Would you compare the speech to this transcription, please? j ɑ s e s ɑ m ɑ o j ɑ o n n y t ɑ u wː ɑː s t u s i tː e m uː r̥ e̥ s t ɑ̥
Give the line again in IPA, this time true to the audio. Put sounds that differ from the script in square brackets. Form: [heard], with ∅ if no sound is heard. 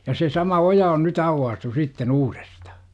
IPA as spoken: j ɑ s e s ɑ m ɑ o j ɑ o n n y t ɑ u wː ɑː s t u s i tː e [n] uː r̥ e̥ s t ɑ̥